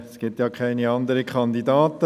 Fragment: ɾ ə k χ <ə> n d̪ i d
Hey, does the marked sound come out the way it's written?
no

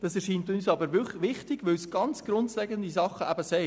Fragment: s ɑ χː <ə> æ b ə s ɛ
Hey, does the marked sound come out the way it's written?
yes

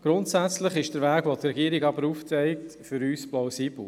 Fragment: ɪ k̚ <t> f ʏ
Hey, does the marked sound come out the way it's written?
yes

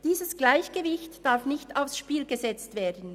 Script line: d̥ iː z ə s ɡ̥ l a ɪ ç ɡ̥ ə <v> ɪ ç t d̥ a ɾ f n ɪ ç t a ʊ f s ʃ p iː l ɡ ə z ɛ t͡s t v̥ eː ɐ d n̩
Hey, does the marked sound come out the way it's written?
yes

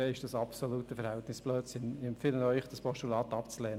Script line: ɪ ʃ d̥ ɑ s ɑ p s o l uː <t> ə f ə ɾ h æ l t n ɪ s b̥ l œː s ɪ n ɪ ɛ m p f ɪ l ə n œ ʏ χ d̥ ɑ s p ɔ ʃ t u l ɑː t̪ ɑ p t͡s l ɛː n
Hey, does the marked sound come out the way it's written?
yes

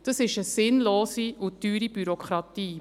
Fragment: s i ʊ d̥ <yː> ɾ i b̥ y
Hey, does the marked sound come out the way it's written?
yes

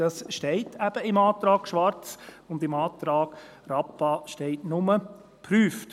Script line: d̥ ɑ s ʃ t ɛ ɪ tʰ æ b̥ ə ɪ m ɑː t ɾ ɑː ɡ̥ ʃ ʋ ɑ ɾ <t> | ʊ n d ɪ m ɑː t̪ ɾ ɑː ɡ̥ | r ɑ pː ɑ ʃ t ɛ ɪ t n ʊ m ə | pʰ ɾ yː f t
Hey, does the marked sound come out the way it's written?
no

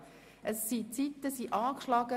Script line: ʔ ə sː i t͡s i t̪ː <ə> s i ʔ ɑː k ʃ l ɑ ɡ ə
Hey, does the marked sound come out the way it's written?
yes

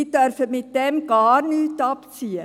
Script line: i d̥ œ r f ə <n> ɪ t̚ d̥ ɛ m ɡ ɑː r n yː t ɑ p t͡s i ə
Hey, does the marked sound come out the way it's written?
no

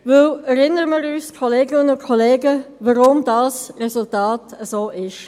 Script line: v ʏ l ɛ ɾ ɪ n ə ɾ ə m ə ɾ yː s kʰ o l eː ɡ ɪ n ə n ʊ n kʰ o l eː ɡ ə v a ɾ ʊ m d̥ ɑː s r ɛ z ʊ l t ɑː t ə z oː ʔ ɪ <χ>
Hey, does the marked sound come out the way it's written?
no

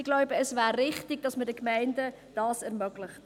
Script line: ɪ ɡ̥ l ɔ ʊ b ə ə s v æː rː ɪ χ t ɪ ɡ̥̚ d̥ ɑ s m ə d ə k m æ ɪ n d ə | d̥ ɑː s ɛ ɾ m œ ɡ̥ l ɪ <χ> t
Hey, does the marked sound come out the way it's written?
yes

